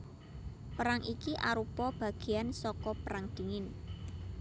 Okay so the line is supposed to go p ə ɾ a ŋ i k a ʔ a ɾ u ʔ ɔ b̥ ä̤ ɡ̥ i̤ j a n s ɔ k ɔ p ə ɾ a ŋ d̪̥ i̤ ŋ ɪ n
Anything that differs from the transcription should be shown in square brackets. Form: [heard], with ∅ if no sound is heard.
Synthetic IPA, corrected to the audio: p ə ɾ a ŋ i k [i] ʔ a ɾ u [p] ɔ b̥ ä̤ ɡ̥ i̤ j a n s ɔ k ɔ p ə ɾ a ŋ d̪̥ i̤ ŋ ɪ n